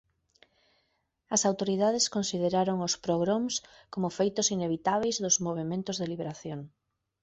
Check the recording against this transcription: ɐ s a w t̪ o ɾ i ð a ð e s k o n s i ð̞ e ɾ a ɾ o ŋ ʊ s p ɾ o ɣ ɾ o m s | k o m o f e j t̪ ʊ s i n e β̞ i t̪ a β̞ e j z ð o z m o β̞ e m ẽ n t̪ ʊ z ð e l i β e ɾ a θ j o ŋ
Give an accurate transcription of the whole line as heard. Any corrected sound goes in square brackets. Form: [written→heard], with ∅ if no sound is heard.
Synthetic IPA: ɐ s a w t̪ o ɾ i ð a ð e s k o n s i ð̞ e ɾ a ɾ o ŋ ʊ s p ɾ o ɣ ɾ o m s | k o m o f e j t̪ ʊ s i n e β̞ i t̪ a β̞ e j z ð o z m o β̞ e m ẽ n t̪ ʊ z ð e l i β e ɾ a θ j o ŋ